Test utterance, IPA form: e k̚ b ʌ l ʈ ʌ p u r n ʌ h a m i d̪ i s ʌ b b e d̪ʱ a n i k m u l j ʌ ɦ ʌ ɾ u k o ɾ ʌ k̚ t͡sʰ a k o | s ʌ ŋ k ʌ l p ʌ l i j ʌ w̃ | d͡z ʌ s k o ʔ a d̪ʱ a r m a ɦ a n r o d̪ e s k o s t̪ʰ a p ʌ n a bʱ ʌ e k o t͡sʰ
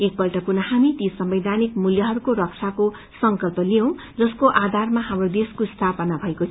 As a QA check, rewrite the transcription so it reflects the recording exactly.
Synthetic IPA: e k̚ b ʌ l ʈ ʌ p u r n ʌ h a m i t̪ i s ʌ m b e d̪ʱ a n i k m u l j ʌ ɦ ʌ ɾ u k o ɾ ʌ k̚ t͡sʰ a k o | s ʌ ŋ k ʌ l p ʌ l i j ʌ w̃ | d͡z ʌ s k o ʔ a d̪ʱ a r m a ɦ a m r o d̪ e s k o s t̪ʰ a p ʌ n a bʱ ʌ e k o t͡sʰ